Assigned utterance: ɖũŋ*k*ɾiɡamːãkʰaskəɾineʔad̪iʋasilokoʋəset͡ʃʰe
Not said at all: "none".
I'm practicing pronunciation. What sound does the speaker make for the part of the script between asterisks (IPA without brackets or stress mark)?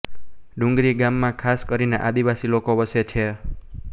ɡ